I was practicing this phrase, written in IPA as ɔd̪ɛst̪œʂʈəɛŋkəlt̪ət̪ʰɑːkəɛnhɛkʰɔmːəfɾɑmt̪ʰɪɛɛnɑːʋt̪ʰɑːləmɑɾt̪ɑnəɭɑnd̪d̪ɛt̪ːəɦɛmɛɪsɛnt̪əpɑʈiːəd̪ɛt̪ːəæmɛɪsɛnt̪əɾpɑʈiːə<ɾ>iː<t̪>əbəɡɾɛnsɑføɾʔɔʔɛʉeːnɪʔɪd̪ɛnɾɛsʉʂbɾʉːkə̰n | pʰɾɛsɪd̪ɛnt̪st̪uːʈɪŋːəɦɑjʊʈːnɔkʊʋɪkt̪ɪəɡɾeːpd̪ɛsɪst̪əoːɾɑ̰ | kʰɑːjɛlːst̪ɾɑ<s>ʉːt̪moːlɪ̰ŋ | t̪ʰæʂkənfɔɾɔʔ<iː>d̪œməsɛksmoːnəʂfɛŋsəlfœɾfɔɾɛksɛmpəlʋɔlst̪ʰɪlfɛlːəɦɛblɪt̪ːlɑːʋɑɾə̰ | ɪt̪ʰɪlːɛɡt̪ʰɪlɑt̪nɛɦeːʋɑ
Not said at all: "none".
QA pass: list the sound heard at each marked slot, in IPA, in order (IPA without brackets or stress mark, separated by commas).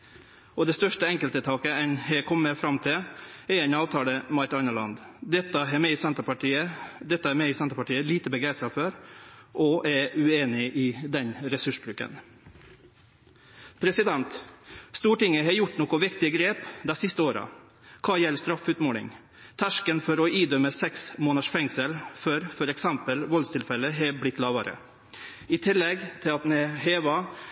l, t̪, f, iː